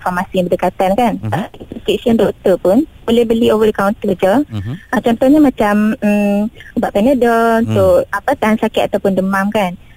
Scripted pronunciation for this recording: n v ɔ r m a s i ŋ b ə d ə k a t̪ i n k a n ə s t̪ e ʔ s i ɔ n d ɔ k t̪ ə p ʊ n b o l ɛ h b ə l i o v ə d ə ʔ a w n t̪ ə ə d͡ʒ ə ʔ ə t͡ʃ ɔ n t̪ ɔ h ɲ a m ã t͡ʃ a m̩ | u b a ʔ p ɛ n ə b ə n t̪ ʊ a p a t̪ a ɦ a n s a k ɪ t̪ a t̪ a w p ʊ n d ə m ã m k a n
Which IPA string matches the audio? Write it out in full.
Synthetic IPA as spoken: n f ɔ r m a s i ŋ b ə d ə k a t̪ a n k a n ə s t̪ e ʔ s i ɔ n d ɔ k t̪ ə p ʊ n b o l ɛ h b ə l i o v ə d ə k a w n t̪ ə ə d͡ʒ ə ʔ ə t͡ʃ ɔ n t̪ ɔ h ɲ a m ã t͡ʃ a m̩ | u b a ʔ p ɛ n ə d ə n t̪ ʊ a p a t̪ a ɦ a n s a k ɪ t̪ a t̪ a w p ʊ n d ə m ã m k a n